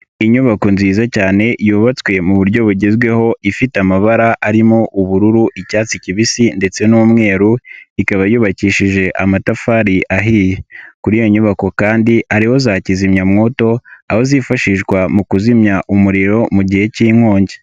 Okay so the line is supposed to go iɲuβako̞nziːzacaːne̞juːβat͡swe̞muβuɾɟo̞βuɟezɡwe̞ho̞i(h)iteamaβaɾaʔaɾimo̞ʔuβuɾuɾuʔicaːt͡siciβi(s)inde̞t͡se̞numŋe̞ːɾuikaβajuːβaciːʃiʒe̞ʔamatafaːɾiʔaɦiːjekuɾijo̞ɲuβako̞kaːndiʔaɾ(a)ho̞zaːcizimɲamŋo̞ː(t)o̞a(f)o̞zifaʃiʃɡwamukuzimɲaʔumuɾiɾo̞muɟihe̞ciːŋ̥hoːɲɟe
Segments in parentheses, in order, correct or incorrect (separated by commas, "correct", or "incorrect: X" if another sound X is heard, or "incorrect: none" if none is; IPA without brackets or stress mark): incorrect: f, correct, incorrect: i, correct, incorrect: h